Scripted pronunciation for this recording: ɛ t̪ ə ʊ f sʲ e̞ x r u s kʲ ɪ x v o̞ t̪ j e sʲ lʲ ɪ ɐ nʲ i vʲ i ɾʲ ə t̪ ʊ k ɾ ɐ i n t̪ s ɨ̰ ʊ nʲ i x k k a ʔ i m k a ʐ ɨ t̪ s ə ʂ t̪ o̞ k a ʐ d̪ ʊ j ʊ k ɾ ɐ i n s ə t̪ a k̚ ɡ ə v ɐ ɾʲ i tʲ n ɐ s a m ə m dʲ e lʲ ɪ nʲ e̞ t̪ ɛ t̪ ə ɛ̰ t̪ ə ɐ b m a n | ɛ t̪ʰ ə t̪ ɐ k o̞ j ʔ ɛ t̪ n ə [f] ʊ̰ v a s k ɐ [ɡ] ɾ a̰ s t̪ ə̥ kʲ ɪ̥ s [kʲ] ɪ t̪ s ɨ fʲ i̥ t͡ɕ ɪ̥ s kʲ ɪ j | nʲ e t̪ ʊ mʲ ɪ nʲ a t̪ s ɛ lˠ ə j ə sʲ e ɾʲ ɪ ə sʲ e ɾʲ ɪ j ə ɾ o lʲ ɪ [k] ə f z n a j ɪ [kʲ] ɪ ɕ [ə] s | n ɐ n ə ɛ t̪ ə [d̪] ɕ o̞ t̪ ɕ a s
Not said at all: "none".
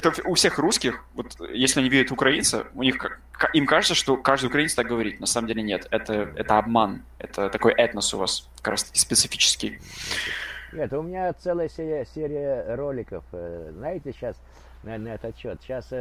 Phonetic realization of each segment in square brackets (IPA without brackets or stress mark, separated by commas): s, k, pʲ, k, tʲ, a, t̪